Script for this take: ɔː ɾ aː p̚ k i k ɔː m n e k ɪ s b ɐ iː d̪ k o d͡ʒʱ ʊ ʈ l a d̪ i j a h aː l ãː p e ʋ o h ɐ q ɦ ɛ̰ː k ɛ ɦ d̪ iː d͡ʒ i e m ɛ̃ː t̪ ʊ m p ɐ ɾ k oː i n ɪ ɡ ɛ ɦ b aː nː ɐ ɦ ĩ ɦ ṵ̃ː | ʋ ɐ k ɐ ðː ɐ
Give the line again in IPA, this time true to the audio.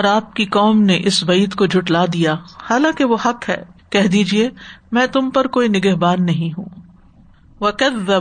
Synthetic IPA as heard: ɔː ɾ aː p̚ k i k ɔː m n e ʔ ɪ s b ɐ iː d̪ k o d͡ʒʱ ʊ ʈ l a d̪ i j a h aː l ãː k e ʋ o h ɐ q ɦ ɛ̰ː k ɛ ɦ d̪ iː d͡ʒ i e m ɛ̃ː t̪ ʊ m p ɐ ɾ k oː i n ɪ ɡ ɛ ɦ b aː nː ɐ ɦ ĩ ɦ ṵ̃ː | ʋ ɐ k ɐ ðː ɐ